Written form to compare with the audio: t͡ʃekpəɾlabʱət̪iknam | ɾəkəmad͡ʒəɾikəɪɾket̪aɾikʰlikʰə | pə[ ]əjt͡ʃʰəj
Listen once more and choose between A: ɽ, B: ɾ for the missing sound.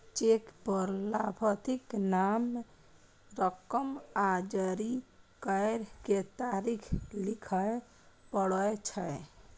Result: A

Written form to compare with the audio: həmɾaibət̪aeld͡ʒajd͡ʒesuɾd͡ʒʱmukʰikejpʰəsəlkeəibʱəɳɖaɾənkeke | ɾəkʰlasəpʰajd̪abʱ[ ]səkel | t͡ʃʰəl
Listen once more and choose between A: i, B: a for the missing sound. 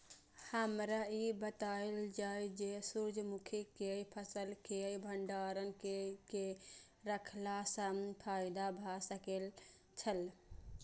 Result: B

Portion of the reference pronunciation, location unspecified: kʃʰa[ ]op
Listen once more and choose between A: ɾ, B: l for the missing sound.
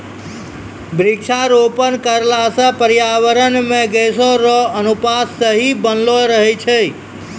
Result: A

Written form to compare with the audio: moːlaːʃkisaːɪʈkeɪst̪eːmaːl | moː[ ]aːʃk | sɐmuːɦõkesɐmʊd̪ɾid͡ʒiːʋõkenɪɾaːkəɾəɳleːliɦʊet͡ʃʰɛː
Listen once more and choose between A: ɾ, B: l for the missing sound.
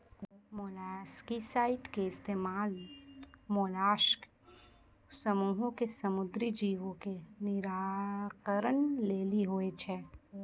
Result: B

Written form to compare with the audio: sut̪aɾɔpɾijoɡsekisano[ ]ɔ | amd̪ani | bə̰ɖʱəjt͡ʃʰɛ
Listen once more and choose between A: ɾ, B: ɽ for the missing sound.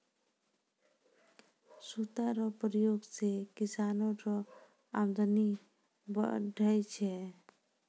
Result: A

